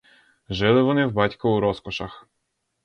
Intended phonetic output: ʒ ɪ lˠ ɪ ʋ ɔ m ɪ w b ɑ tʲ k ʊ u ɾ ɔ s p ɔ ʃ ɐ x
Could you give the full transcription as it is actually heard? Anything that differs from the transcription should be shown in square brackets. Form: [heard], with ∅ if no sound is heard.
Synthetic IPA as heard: ʒ ɪ lˠ ɪ ʋ ɔ [n] ɪ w b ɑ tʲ k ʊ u ɾ ɔ s [k] ɔ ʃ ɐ x